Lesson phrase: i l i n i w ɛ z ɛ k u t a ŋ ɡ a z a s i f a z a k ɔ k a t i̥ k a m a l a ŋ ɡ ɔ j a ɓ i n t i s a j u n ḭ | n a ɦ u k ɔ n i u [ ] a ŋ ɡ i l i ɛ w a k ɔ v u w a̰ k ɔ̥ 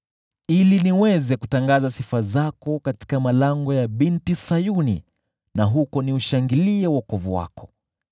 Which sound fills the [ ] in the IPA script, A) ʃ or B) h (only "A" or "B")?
A